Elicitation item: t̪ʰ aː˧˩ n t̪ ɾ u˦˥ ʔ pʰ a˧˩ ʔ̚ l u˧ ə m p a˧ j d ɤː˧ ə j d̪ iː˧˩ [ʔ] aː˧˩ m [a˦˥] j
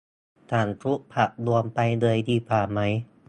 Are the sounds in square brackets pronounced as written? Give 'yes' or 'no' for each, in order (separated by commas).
no, yes